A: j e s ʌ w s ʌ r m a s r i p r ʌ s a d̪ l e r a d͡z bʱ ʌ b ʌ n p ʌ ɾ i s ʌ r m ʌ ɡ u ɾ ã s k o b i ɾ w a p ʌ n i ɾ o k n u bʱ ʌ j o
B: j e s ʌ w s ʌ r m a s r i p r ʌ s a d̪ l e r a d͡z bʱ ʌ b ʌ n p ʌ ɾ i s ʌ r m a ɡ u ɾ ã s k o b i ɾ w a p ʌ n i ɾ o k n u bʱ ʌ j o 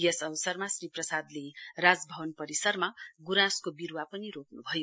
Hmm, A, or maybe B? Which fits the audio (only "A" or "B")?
B